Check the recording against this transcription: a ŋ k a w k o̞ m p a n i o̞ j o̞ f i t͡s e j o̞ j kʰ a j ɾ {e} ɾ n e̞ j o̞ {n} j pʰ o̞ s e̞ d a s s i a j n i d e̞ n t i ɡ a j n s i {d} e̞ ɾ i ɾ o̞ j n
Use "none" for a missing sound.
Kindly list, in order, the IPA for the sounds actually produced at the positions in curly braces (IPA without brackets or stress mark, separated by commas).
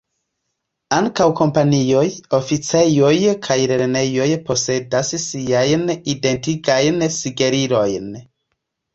e, none, ɡ